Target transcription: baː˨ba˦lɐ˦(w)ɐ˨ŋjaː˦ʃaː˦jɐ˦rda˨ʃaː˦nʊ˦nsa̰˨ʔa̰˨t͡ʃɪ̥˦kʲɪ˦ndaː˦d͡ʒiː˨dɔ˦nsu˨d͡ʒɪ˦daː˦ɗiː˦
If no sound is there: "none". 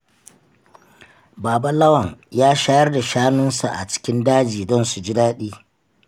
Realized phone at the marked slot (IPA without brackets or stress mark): w